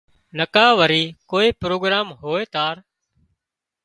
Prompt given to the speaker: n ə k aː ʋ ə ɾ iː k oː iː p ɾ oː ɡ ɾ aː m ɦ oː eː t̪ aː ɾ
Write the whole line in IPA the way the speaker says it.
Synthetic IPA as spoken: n ə k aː ʋ ə ɾ iː k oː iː p ɾ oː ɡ ɾ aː m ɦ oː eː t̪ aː ɾ